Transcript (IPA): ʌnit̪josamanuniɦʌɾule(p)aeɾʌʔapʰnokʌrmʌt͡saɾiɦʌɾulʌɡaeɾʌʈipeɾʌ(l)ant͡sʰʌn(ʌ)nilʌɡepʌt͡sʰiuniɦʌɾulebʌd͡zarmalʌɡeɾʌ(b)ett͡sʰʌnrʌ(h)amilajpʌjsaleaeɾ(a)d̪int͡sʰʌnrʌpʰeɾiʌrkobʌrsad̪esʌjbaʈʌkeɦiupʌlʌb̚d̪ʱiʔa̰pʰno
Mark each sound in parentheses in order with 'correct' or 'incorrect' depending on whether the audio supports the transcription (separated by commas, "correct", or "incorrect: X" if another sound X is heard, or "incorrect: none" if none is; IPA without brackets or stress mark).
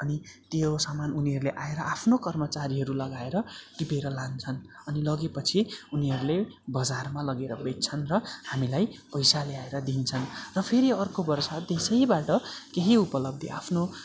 incorrect: ʔ, correct, correct, correct, correct, incorrect: ʌ